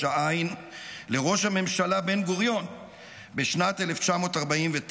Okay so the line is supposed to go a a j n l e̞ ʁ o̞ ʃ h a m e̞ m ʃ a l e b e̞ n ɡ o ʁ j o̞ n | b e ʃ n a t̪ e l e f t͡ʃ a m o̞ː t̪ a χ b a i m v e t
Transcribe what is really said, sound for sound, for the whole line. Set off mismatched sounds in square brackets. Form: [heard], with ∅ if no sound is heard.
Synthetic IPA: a a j n l e̞ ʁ o̞ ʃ h a m e̞ m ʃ a l [a] b e̞ n ɡ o ʁ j o̞ n | b e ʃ n a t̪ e l e f t͡ʃ a m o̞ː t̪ a [ʁ] b a i m v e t